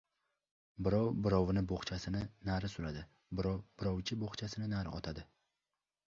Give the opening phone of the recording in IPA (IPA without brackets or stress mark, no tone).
b